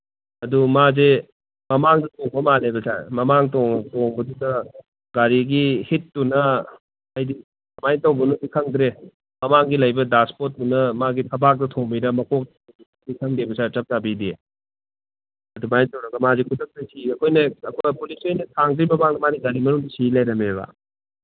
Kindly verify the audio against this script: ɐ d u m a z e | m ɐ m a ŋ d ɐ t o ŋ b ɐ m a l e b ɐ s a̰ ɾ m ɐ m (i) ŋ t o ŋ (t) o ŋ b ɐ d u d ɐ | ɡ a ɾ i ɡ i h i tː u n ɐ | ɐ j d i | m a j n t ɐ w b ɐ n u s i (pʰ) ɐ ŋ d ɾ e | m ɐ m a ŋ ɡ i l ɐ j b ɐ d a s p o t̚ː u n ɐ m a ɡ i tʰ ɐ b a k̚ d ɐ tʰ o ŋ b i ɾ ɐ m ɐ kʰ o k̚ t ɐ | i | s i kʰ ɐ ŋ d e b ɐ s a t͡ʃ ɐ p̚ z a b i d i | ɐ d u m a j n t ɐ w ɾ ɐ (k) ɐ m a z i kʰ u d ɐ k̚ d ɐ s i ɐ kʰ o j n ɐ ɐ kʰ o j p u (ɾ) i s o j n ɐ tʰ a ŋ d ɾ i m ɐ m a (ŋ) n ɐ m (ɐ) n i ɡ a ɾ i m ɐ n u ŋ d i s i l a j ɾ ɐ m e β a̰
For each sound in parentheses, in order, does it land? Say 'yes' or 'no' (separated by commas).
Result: no, yes, no, no, no, yes, no